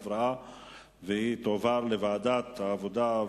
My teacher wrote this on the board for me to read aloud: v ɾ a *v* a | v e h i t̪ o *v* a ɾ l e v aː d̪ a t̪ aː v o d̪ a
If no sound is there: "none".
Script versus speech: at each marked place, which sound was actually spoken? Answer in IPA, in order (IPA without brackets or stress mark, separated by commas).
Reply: none, v